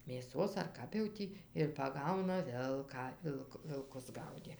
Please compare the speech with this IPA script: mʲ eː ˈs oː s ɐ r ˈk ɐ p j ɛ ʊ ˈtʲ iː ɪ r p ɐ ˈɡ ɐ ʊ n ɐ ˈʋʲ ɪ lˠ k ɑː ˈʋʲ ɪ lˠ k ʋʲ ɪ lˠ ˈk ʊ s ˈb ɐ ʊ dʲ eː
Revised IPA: mʲ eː ˈs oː s ɐ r ˈk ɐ p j ɛ ʊ ˈtʲ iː ɪ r p ɐ ˈɡ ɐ ʊ n ɐ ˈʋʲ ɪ lˠ k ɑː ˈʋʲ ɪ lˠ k ʋʲ ɪ lˠ ˈk ʊ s ˈɡ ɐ ʊ dʲ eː

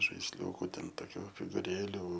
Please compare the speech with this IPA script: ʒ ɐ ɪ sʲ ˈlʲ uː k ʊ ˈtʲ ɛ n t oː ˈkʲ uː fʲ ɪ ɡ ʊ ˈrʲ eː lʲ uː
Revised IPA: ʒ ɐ ɪ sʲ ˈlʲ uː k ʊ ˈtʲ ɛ n t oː ˈkʲ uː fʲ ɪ ɡ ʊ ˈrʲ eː lʲ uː

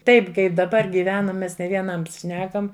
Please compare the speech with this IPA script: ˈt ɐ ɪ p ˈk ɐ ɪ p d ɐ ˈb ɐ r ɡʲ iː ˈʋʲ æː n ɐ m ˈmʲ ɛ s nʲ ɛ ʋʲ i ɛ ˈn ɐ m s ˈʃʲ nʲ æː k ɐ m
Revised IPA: ˈt ɐ ɪ p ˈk ɐ ɪ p d ɐ ˈb ɐ r ɡʲ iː ˈʋʲ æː n ɐ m ˈmʲ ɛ s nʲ ɛ ʋʲ i ɛ ˈn ɐ m s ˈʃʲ nʲ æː k ɐ m

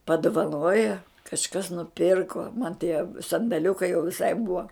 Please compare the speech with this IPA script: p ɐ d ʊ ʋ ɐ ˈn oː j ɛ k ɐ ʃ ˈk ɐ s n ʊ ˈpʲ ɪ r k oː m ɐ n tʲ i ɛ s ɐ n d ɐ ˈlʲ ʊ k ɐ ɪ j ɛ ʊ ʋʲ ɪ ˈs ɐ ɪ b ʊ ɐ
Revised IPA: p ɐ d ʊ ʋ ɐ ˈn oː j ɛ k ɐ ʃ ˈk ɐ s n ʊ ˈpʲ ɪ r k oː m ɐ n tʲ i ɛ s ɐ n d ɐ ˈlʲ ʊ k ɐ ɪ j ɛ ʊ ʋʲ ɪ ˈs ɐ ɪ b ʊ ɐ

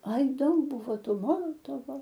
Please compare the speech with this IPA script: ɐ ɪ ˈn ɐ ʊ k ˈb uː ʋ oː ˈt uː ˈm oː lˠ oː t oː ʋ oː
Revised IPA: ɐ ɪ ˈd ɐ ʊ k ˈb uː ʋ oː ˈt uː ˈm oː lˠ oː t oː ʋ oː

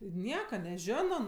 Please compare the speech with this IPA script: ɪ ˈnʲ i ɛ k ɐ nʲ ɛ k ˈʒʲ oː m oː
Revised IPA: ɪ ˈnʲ i ɛ k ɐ nʲ ɛ ˈʒʲ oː n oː

